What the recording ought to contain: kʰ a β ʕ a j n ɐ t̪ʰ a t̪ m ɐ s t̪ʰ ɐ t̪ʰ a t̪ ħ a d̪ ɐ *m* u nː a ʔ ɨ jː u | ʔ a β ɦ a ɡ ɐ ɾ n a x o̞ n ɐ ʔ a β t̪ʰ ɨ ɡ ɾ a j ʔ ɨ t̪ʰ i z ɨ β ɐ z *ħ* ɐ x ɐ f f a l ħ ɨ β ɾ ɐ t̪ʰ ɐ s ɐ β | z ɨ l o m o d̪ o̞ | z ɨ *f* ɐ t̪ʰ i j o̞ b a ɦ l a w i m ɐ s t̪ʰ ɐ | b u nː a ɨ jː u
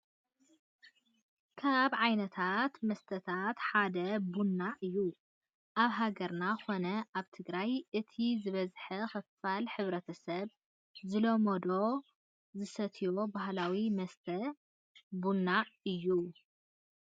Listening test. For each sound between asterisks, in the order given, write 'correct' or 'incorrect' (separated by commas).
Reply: incorrect, correct, incorrect